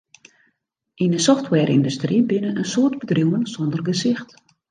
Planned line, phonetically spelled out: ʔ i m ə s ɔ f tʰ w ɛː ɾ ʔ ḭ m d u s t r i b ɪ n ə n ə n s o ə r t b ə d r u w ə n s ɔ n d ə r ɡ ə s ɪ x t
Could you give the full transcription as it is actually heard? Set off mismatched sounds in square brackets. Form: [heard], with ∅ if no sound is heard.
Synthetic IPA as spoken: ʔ i [n] ə s ɔ f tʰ w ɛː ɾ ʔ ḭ [n] d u s t r i b ɪ n ə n ə n s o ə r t b ə d r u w ə n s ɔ n d ə r ɡ ə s ɪ x t